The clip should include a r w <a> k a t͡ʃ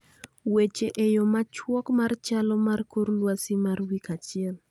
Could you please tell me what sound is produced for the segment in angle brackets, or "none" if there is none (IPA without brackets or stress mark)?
i